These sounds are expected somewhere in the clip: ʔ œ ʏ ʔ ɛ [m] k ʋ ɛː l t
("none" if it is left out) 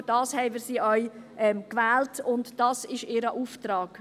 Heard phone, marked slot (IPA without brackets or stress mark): m